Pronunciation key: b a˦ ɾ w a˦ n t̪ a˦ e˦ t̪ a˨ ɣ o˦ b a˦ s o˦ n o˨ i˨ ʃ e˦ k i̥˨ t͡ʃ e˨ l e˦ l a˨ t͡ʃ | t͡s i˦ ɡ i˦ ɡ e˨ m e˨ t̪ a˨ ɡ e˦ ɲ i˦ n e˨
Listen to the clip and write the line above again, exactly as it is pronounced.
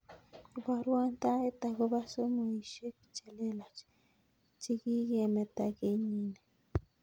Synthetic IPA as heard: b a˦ ɾ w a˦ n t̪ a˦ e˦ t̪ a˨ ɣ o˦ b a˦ s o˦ m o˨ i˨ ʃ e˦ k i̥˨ t͡ʃ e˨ l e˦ l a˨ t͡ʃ | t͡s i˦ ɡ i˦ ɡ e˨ m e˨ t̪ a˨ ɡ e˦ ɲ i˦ n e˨